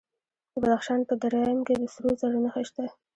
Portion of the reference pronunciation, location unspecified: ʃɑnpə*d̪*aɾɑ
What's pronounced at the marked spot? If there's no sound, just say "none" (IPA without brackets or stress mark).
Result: d̪